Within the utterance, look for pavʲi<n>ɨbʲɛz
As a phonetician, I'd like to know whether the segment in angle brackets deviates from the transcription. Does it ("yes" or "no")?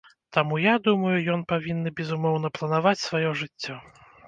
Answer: yes